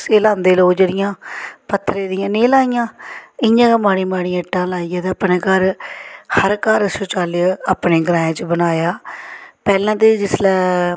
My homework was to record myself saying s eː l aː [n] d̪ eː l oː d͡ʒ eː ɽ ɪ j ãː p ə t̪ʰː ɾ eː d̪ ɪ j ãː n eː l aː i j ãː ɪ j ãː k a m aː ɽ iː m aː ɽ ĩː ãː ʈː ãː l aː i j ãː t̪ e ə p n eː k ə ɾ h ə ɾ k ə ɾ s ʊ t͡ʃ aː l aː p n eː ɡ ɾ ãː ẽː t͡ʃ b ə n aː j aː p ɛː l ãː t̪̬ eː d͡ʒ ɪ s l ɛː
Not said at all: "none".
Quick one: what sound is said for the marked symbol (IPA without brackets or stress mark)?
n